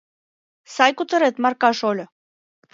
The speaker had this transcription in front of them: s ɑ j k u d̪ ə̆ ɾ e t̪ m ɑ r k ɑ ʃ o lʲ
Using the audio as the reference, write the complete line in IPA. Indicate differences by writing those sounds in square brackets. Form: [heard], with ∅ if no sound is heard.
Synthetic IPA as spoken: s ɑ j k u [t̪] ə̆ ɾ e t̪ m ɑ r k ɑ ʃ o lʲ